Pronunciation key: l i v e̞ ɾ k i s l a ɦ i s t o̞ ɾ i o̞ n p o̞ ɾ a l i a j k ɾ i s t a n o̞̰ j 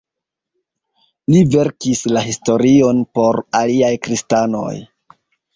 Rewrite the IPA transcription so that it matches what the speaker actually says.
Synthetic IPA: l i v e̞ ɾ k i s l a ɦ i s t o̞ ɾ i o̞ n p o̞ ɾ a l i a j k ɾ i s t a n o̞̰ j